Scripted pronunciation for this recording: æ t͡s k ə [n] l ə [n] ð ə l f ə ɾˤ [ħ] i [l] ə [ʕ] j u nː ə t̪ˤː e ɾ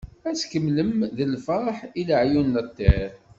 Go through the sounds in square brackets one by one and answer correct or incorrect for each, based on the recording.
incorrect, incorrect, correct, correct, correct

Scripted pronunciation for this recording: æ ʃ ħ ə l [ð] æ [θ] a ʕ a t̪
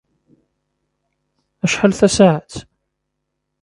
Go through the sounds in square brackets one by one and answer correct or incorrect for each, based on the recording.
incorrect, incorrect

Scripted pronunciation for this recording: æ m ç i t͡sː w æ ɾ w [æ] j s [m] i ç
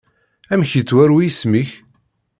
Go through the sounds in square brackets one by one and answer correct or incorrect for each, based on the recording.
incorrect, correct

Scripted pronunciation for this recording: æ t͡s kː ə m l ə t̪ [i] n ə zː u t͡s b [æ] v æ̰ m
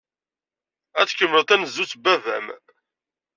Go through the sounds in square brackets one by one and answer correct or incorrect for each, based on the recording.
incorrect, correct

